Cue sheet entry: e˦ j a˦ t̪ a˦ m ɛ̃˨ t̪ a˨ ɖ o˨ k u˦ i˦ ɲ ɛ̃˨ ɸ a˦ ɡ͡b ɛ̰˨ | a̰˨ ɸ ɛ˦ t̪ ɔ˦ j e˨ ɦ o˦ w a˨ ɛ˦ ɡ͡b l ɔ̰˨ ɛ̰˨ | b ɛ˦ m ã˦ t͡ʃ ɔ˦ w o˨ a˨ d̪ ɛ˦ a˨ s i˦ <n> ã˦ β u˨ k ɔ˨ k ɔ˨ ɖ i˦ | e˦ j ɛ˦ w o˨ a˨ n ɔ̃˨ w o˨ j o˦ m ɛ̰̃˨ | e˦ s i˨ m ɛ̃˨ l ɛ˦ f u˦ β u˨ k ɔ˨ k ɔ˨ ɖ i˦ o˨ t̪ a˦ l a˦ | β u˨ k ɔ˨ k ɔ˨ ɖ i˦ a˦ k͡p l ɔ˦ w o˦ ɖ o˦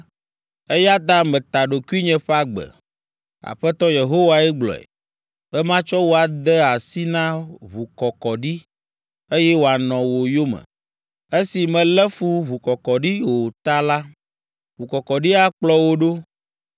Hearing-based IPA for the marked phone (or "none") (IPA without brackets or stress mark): n